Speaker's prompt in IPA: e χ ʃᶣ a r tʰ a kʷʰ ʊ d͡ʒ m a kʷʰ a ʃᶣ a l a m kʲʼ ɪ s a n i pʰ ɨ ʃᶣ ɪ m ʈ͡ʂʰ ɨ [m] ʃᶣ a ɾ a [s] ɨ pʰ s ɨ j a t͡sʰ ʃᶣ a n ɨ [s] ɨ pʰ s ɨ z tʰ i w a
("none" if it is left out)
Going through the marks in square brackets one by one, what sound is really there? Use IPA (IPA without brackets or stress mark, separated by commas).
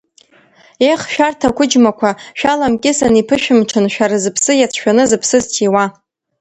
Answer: n, z, z